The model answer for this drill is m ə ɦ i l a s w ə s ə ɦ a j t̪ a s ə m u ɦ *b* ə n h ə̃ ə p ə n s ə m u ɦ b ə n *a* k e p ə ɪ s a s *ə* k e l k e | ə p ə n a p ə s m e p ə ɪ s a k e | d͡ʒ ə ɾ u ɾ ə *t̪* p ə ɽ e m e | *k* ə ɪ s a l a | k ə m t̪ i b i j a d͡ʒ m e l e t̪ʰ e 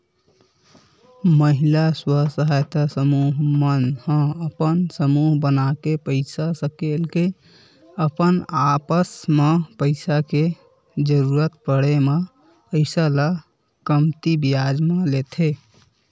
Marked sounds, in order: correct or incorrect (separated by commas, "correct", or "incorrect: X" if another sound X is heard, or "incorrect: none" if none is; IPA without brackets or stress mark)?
incorrect: m, correct, correct, correct, incorrect: p